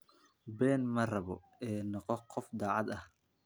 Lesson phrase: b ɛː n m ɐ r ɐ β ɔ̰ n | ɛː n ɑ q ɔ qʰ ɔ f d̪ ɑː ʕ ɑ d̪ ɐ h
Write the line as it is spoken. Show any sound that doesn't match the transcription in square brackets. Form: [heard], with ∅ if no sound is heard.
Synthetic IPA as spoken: b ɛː n m ɐ r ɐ β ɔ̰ [∅] | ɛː n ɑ q ɔ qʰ ɔ f d̪ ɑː ʕ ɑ d̪ ɐ h

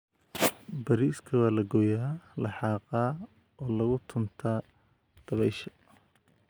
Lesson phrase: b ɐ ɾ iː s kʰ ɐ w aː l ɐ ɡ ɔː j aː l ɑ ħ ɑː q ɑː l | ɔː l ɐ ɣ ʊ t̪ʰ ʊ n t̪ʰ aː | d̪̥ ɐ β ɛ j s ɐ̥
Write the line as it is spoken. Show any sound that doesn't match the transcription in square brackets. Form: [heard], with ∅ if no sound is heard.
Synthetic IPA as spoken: b ɐ ɾ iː s kʰ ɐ w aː l ɐ ɡ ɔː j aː l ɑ ħ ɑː q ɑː [∅] | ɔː l ɐ ɣ ʊ t̪ʰ ʊ n t̪ʰ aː | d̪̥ ɐ β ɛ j [ʃ] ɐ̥

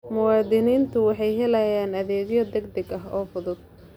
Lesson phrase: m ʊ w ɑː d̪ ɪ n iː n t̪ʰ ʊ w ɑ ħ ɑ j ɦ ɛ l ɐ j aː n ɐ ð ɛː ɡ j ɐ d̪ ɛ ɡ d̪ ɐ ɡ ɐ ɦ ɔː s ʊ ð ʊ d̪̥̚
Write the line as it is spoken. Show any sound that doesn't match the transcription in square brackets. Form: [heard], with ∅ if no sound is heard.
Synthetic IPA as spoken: m ʊ w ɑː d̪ ɪ n iː n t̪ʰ ʊ w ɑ ħ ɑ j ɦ ɛ l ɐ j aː n ɐ ð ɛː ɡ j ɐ d̪ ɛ ɡ d̪ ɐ ɡ ɐ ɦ ɔː [f] ʊ ð ʊ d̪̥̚

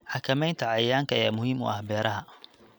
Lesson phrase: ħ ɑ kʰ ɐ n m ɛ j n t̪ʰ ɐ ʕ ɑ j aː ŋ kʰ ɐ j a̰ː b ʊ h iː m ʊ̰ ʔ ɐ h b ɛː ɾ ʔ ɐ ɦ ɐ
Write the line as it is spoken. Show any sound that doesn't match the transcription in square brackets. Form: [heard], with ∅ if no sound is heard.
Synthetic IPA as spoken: ħ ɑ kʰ ɐ [∅] m ɛ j n t̪ʰ ɐ ʕ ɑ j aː ŋ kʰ ɐ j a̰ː [m] ʊ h iː m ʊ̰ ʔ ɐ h b ɛː ɾ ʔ ɐ ɦ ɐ

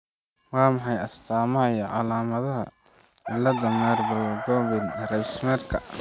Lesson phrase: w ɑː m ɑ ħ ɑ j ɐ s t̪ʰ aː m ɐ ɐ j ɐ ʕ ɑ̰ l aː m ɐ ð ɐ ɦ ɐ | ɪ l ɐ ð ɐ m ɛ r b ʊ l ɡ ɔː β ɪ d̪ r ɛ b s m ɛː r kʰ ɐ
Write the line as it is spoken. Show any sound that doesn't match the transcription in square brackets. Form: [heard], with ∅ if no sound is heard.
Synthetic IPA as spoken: w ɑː m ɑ ħ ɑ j ɐ s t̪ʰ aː m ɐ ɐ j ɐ ʕ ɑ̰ l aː m ɐ ð ɐ ɦ ɐ | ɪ l ɐ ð ɐ m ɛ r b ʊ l ɡ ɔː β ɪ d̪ r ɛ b s m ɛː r kʰ ɐ

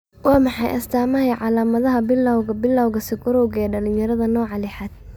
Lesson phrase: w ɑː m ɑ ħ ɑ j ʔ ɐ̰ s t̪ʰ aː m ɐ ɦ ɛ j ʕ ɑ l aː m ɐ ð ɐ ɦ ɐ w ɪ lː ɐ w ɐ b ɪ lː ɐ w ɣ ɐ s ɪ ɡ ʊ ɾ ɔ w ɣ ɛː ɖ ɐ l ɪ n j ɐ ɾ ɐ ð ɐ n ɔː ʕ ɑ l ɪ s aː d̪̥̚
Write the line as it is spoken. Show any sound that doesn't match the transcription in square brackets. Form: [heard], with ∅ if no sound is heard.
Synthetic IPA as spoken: w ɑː m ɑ ħ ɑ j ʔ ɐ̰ s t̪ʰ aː m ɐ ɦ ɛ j ʕ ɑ l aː m ɐ ð ɐ ɦ ɐ [b] ɪ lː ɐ w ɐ b ɪ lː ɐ w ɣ ɐ s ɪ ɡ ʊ ɾ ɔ w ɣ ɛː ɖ ɐ l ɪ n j ɐ ɾ ɐ ð ɐ n ɔː ʕ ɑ l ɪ [ħ] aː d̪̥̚

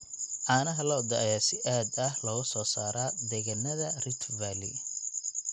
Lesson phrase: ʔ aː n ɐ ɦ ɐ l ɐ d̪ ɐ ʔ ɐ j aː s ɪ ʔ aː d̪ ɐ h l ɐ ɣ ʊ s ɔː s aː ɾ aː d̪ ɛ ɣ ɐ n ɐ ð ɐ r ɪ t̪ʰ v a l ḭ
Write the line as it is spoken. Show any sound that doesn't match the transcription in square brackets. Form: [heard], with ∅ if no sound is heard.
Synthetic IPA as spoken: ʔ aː n ɐ ɦ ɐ l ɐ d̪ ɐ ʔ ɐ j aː s ɪ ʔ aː d̪ ɐ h l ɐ ɣ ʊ s ɔː s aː ɾ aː d̪ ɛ ɣ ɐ n ɐ ð ɐ r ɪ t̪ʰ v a l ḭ

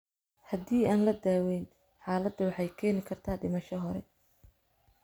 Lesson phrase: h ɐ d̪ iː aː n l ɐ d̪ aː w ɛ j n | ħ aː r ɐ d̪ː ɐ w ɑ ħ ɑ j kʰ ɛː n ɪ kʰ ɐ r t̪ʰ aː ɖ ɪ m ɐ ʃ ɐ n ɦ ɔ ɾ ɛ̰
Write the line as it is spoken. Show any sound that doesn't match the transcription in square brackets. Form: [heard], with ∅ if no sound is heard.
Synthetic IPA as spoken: h ɐ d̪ iː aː n l ɐ d̪ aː w ɛ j n | ħ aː [l] ɐ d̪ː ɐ w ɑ ħ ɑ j kʰ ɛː n ɪ kʰ ɐ r t̪ʰ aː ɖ ɪ m ɐ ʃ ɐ [∅] ɦ ɔ ɾ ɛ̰

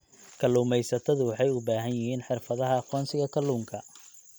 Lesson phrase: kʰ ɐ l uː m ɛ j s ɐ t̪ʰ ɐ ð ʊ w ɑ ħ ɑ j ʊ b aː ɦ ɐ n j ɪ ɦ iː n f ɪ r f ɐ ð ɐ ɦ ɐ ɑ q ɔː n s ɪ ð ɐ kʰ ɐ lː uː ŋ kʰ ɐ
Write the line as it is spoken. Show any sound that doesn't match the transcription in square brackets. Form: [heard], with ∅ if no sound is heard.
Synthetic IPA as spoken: kʰ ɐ l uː m ɛ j s ɐ t̪ʰ ɐ ð ʊ w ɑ ħ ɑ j ʊ b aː ɦ ɐ n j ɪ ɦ iː n [ħ] ɪ r f ɐ ð ɐ ɦ ɐ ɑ q ɔː n s ɪ [ɣ] ɐ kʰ ɐ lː uː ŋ kʰ ɐ

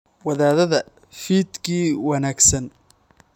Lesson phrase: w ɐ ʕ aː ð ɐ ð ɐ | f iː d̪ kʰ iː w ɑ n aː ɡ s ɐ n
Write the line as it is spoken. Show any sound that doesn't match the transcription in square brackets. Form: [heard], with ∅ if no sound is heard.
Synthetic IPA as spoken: w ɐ [ð] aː ð ɐ ð ɐ | f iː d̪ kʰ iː w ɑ n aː ɡ s ɐ n

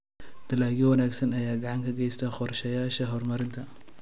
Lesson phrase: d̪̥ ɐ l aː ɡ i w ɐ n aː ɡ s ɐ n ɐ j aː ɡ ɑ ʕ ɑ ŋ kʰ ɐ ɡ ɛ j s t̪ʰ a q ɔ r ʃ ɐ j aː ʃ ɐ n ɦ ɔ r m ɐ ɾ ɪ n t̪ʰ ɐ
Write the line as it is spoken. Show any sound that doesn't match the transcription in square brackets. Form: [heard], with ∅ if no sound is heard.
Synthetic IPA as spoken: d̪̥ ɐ l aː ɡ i w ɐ n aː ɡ s ɐ n ɐ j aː ɡ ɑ ʕ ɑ ŋ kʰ ɐ ɡ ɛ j s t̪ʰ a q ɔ r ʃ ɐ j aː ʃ ɐ [∅] ɦ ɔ r m ɐ ɾ ɪ n t̪ʰ ɐ

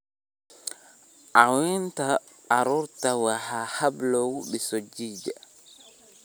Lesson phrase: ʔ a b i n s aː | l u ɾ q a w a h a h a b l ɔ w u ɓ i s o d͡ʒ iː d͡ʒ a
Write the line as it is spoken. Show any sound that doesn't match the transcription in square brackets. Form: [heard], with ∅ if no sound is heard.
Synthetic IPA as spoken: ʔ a [w] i n [t] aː | [ɾ] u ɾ [t] a w a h a h a b l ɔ w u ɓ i s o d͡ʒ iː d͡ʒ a

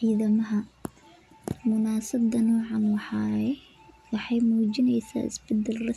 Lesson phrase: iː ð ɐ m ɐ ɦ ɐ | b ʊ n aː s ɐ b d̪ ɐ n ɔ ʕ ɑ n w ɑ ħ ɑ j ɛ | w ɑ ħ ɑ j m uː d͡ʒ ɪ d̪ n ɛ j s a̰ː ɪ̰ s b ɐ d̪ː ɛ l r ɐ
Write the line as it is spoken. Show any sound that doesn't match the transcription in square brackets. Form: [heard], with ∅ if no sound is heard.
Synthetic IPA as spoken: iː ð ɐ m ɐ ɦ ɐ | [m] ʊ n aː s ɐ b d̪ ɐ n [ɔː] ʕ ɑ n w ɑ ħ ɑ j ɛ | w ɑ ħ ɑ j m uː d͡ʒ ɪ [∅] n ɛ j s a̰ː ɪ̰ s b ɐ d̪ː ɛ l r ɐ

